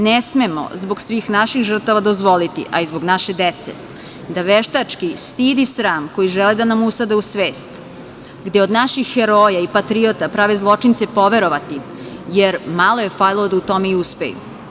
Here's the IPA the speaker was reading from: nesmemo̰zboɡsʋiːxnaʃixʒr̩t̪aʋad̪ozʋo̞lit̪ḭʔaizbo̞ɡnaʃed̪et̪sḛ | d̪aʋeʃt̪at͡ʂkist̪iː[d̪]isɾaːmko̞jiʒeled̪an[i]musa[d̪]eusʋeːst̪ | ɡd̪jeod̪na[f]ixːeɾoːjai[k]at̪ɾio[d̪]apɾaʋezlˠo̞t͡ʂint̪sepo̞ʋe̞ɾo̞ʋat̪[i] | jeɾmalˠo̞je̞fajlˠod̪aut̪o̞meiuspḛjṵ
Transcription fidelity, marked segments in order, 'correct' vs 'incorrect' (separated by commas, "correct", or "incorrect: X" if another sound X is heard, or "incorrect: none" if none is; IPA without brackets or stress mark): correct, incorrect: a, correct, incorrect: ʃ, incorrect: p, incorrect: t̪, correct